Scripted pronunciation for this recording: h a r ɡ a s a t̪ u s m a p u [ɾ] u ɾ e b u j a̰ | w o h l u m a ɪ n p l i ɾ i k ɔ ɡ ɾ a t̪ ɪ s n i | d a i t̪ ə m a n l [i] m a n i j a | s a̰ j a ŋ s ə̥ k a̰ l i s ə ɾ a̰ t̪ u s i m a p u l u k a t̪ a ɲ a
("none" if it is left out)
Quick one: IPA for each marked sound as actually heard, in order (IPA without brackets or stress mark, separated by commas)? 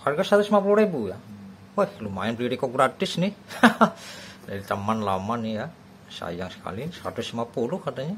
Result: l, a